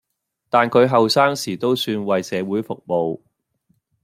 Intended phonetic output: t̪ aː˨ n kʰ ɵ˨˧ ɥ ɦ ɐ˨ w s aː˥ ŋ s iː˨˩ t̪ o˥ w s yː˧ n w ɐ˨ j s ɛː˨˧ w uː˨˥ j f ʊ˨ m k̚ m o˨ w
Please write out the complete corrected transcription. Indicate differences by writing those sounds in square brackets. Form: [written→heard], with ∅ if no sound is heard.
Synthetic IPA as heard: t̪ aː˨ n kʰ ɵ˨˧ ɥ ɦ ɐ˨ w s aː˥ ŋ s iː˨˩ t̪ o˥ w s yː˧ n w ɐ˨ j s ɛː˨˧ w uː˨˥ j f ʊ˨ [m→∅] k̚ m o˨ w